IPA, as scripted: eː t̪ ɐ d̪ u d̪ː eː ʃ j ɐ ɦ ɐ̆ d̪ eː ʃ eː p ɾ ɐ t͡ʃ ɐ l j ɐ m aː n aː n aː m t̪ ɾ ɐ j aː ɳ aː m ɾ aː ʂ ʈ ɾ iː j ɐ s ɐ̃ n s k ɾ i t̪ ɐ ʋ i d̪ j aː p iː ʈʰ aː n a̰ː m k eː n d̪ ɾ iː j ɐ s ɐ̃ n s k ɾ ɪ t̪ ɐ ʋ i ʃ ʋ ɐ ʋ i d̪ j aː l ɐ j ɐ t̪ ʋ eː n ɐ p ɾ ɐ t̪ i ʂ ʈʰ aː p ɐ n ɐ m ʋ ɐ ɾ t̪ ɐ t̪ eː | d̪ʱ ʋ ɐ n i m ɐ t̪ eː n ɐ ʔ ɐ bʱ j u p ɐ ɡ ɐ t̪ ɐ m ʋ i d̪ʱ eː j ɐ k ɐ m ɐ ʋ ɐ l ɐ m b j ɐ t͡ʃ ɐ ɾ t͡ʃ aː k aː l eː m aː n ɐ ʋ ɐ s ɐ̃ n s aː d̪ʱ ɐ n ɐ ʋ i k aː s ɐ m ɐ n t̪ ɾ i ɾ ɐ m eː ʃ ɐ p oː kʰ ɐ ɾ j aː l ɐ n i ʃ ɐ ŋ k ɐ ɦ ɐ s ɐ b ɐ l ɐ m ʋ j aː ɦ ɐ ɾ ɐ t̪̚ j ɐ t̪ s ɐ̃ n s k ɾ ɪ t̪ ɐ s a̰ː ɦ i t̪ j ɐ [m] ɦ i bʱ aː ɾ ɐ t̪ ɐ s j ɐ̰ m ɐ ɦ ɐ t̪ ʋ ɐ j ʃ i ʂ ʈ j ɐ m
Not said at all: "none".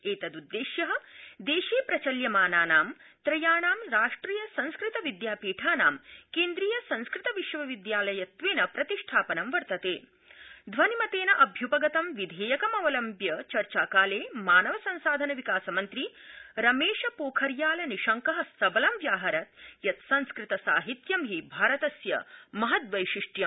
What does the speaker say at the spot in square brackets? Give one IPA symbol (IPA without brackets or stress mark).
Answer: m